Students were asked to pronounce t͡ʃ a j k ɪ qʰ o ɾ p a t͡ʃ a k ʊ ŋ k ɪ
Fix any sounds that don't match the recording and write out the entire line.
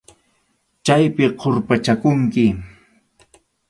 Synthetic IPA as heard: t͡ʃ a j p ɪ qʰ o ɾ p a t͡ʃ a k ʊ ŋ k ɪ